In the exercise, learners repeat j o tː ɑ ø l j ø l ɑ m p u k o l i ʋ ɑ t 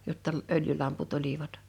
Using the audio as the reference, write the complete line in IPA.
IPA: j o tː ɑ ø l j y l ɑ m p u t o l i ʋ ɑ t